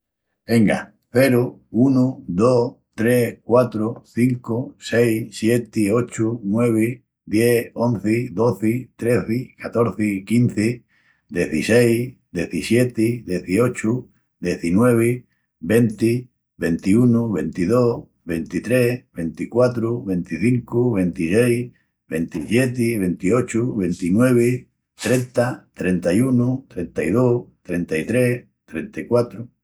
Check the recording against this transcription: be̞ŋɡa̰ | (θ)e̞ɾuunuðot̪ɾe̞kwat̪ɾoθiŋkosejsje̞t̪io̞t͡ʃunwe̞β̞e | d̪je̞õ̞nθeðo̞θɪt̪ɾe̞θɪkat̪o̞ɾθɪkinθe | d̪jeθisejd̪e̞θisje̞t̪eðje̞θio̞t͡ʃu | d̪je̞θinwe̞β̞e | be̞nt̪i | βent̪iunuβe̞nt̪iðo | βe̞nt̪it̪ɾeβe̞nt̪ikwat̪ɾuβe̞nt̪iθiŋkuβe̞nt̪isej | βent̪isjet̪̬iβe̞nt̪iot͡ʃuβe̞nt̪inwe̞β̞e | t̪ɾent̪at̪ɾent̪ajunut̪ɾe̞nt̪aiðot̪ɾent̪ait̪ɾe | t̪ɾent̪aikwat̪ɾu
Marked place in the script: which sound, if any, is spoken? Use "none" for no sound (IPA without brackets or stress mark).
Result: θ